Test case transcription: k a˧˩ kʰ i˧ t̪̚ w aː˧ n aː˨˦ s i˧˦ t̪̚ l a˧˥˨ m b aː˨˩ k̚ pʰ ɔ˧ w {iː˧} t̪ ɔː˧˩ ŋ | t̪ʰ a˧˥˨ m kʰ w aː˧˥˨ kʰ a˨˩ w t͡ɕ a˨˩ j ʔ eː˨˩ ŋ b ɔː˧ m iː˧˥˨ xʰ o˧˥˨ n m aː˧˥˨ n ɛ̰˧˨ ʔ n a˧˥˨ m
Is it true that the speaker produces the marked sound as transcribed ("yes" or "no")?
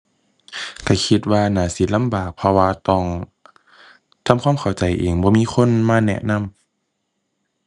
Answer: no